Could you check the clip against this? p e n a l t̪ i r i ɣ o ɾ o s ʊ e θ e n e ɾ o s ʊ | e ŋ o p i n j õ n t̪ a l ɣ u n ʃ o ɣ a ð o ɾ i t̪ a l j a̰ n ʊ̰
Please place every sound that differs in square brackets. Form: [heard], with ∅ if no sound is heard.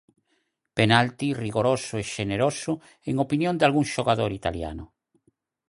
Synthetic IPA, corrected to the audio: p e n a l t̪ i r i ɣ o ɾ o s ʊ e [ʃ] e n e ɾ o s ʊ | e ŋ o p i n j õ n [d̪] a l ɣ u [ŋ] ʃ o ɣ a ð o ɾ i t̪ a l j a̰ n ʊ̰